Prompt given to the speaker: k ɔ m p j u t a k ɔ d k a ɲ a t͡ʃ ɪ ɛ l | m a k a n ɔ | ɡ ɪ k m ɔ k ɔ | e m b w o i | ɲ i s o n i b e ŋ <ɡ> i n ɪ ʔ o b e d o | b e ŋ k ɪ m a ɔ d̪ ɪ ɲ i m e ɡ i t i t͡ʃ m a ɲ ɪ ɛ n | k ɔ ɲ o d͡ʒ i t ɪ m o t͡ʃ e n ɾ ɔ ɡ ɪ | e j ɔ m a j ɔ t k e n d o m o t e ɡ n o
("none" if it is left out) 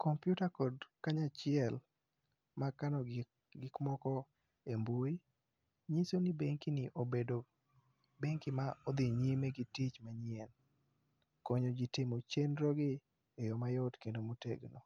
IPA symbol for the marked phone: k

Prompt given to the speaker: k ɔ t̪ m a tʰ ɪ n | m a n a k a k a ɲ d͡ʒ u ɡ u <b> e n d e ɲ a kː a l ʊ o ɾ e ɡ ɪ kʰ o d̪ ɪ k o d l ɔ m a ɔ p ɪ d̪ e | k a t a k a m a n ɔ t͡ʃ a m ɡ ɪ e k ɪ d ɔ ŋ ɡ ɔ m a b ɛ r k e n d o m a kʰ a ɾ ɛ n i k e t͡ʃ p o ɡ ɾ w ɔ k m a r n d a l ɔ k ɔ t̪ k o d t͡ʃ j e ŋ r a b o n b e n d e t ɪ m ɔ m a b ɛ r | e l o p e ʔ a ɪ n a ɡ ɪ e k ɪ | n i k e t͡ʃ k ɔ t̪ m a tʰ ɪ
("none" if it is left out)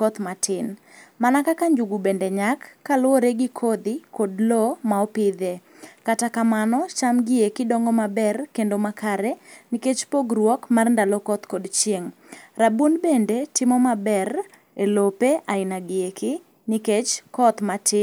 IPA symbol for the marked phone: b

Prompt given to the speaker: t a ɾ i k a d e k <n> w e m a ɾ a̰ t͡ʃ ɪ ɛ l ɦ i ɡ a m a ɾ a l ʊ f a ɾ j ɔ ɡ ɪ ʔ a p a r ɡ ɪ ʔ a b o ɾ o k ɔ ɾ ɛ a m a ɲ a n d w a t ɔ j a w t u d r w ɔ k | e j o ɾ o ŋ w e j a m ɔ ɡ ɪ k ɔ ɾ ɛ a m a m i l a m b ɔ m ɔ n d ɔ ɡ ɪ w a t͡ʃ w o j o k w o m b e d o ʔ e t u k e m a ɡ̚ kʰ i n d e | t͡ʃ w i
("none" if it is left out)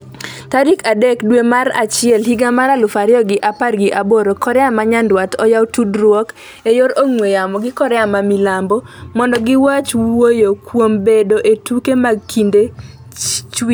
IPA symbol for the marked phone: d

